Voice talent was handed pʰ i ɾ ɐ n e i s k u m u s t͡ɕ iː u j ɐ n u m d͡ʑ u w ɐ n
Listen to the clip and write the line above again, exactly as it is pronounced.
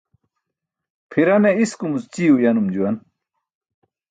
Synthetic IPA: pʰ i ɾ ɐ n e i s k u m u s t͡ɕ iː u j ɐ n u m d͡ʑ u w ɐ n